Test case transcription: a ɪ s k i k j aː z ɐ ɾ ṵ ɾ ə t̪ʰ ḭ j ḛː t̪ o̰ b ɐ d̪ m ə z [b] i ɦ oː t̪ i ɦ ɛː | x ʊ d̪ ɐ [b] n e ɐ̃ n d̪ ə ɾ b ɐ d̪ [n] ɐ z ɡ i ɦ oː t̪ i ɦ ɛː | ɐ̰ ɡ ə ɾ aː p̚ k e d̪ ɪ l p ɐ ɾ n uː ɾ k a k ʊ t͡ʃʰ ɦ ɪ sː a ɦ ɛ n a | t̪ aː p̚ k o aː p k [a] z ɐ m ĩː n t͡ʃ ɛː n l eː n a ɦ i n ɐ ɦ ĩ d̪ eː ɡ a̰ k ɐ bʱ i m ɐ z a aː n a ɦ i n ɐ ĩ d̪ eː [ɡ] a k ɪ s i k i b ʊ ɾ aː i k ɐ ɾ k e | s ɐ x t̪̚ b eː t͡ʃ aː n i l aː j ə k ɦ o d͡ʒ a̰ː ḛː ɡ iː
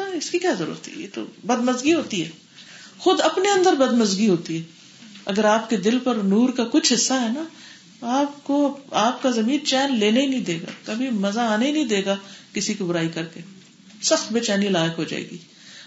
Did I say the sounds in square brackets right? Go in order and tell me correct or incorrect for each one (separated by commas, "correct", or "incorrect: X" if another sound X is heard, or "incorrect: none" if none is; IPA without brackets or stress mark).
incorrect: ɡ, incorrect: p, incorrect: m, correct, correct